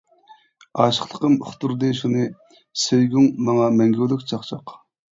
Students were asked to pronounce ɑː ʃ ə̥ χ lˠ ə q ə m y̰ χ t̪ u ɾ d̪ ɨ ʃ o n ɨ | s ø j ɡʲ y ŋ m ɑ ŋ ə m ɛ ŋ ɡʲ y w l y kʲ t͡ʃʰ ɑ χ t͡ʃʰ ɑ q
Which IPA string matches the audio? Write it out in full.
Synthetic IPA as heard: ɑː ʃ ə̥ χ lˠ ə q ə m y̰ χ t̪ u ɾ d̪ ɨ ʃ u n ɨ | s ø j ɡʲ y ŋ m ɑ ŋ ɑ m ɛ ŋ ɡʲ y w l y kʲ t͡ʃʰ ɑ χ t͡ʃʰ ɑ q

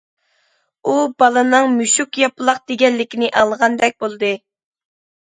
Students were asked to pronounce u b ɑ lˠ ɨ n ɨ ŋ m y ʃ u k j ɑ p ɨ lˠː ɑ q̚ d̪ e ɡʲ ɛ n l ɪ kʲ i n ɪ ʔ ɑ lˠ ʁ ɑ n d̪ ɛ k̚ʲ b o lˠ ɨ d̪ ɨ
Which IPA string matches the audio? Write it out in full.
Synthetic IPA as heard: u b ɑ lˠ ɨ n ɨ ŋ m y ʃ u k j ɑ p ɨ lˠ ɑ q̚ d̪ e ɡʲ ɛ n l ɪ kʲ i n ɪ ʔ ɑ lˠ ʁ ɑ n d̪ ɛ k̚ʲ b o lˠ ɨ d̪ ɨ

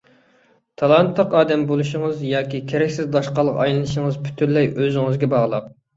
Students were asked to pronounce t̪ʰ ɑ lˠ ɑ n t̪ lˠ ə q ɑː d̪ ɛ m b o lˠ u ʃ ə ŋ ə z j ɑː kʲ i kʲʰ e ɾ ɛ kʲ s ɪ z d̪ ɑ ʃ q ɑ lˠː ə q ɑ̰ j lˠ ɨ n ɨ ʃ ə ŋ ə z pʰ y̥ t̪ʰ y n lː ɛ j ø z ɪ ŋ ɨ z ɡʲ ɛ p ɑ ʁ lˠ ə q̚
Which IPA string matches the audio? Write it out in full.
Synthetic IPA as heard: t̪ʰ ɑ lˠ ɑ n t̪ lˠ ə q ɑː d̪ ɛ m b o lˠ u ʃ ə ŋ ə z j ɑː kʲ i kʲʰ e ɾ ɛ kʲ s ɪ z d̪ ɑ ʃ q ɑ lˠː ə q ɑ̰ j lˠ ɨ n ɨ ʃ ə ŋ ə z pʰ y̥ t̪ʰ y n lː ɛ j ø z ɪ ŋ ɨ z ɡʲ ɛ b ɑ ʁ lˠ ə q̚

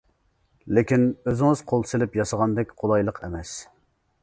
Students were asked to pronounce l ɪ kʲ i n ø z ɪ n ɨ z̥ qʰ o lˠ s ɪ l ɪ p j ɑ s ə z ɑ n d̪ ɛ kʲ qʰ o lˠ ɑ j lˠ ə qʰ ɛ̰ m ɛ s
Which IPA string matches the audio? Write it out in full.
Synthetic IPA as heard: l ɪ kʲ i n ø z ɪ ŋ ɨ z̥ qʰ o lˠ s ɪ l ɪ p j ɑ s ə ʁ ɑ n d̪ ɛ kʲ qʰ o lˠ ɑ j lˠ ə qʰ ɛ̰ m ɛ s

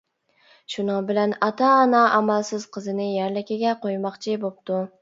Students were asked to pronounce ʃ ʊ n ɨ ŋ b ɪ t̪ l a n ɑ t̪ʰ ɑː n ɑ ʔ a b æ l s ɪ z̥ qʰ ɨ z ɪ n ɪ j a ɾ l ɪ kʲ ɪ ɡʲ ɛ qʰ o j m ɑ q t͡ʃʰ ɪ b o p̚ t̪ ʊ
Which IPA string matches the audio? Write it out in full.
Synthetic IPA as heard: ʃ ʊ n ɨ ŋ b ɪ l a n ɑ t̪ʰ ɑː n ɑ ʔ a m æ l s ɪ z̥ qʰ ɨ z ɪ n ɪ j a ɾ l ɪ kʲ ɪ ɡʲ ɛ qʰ o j m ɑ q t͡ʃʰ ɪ b o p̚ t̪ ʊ

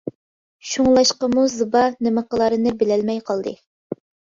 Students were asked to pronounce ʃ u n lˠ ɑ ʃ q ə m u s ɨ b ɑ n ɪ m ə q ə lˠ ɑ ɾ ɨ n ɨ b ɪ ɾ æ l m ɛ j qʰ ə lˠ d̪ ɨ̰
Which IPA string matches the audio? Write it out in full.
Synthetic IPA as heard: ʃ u ŋ lˠ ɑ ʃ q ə m u z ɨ b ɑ n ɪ m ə q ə lˠ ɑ ɾ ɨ n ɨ b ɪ l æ l m ɛ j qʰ ɑ lˠ d̪ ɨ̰

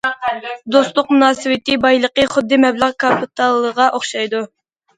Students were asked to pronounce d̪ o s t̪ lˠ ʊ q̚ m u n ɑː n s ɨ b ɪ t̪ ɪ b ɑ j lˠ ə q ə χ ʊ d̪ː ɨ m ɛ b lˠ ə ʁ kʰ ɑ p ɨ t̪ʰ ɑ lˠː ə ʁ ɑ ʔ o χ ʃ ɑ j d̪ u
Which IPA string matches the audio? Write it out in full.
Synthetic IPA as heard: d̪ o s t̪ lˠ ʊ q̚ m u n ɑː s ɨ w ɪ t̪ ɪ b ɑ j lˠ ə q ə χ ʊ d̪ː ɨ m ɛ b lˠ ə ʁ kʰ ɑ p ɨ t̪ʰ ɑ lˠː ə ʁ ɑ ʔ o χ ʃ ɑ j d̪ u

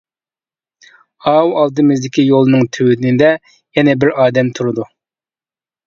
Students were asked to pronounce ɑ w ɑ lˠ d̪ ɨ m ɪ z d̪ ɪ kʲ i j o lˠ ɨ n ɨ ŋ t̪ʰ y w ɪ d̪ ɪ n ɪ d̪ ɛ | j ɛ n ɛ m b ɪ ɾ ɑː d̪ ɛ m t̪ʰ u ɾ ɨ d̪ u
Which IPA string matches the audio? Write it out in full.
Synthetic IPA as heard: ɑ w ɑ lˠ d̪ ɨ m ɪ z d̪ ɪ kʲ i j o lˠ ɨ n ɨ ŋ t̪ʰ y w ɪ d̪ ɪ n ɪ d̪ ɛ | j ɛ n ɛ b ɪ ɾ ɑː d̪ ɛ m t̪ʰ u ɾ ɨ d̪ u

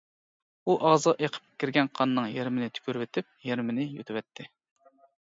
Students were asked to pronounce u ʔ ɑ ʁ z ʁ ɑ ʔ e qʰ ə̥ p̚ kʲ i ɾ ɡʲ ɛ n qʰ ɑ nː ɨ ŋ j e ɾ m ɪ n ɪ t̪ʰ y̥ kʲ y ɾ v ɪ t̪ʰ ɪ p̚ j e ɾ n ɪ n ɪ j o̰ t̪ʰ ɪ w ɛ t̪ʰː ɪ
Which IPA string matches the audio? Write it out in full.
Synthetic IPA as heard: u ʔ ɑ ʁ z ʁ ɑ ʔ e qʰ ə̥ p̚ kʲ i ɾ ɡʲ ɛ n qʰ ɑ nː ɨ ŋ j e ɾ m ɪ n ɪ t̪ʰ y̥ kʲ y ɾ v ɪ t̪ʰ ɪ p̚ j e ɾ m ɪ n ɪ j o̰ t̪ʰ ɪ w ɛ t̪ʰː ɪ

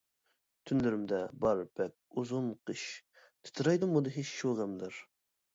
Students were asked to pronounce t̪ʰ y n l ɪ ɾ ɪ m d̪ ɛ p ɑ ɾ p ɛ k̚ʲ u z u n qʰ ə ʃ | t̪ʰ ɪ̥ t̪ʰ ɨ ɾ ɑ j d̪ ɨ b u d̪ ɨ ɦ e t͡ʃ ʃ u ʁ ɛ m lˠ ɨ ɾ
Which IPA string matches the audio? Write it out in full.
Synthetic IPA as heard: t̪ʰ y n l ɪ ɾ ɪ m d̪ ɛ b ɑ ɾ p ɛ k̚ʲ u z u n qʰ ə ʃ | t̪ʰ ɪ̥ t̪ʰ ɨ ɾ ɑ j d̪ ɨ m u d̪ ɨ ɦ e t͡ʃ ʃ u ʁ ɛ m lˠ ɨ ɾ

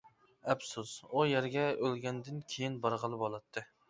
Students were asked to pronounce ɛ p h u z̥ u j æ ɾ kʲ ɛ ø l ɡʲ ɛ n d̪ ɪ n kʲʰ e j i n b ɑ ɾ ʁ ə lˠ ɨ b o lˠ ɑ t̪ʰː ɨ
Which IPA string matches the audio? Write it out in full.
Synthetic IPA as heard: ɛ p s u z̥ u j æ ɾ ɡʲ ɛ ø l ɡʲ ɛ n d̪ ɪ n kʲʰ e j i n b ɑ ɾ ʁ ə lˠ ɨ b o lˠ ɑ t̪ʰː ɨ

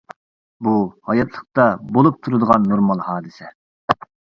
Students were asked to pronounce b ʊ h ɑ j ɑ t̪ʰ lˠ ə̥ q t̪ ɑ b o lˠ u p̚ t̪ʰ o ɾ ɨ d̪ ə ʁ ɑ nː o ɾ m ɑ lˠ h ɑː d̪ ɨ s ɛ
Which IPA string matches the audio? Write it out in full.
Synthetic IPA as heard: b u h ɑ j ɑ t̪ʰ lˠ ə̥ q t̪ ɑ b o lˠ u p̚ t̪ʰ u ɾ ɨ d̪ ə ʁ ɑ nː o ɾ m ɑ lˠ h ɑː d̪ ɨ s ɛ

